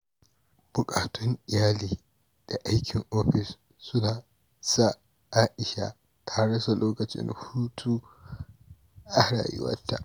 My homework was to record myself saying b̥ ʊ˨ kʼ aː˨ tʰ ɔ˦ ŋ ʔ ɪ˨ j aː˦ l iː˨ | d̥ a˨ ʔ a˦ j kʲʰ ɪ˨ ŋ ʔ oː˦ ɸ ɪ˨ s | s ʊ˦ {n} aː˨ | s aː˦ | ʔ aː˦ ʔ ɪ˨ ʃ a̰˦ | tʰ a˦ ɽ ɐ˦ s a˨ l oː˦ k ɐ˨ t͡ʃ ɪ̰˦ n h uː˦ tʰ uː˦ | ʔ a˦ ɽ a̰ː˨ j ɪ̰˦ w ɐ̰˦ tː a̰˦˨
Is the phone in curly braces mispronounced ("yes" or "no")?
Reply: no